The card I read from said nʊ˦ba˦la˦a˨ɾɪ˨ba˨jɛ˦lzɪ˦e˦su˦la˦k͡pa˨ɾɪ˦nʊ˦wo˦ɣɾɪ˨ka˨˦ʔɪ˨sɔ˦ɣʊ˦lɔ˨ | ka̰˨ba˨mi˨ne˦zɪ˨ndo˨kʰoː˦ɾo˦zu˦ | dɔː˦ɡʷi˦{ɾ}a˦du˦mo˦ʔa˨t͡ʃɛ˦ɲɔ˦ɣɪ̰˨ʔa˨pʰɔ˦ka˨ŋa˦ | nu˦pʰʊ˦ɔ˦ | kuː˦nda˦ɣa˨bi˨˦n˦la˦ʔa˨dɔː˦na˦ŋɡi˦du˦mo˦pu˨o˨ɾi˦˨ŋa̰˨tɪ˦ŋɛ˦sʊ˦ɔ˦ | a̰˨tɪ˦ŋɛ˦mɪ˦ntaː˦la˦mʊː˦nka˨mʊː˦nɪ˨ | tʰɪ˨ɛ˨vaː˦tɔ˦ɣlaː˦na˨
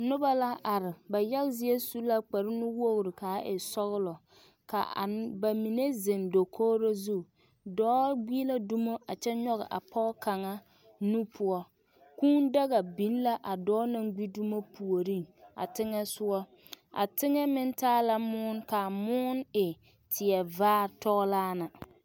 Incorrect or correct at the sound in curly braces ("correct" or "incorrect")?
incorrect